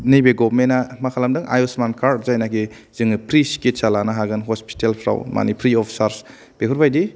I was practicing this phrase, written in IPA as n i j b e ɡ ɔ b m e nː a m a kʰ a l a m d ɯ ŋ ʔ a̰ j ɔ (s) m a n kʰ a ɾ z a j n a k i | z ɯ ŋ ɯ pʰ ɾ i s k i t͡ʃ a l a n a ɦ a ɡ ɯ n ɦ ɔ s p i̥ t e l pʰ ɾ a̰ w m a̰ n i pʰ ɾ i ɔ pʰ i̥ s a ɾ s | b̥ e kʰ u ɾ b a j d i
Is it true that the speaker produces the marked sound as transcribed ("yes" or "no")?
yes